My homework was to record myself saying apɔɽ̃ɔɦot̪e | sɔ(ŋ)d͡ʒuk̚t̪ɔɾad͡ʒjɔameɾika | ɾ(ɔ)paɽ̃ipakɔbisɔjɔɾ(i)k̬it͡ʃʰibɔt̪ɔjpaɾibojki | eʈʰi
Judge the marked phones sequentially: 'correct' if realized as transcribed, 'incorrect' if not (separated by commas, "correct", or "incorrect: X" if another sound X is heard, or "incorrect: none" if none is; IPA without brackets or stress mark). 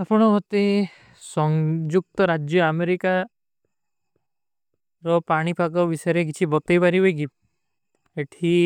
correct, correct, incorrect: e